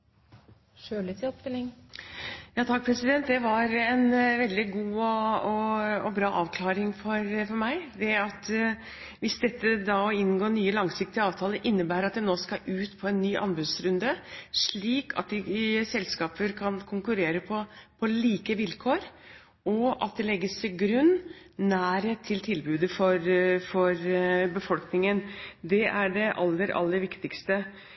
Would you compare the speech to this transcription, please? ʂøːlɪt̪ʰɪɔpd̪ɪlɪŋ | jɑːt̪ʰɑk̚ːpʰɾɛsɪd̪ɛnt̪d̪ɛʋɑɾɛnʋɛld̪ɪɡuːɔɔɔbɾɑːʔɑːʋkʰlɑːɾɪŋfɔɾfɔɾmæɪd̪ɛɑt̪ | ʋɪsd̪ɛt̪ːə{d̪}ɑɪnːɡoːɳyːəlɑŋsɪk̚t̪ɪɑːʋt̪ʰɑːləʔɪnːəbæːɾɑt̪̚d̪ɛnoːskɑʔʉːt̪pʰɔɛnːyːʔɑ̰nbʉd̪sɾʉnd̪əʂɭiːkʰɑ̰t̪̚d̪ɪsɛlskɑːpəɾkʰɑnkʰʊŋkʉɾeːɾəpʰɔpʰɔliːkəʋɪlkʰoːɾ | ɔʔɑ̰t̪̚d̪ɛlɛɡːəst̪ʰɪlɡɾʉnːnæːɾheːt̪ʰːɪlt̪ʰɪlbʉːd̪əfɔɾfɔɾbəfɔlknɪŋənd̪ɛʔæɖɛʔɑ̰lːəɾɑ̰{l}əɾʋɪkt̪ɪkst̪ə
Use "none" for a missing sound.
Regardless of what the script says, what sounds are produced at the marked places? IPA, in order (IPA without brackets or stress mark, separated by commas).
d̪, lː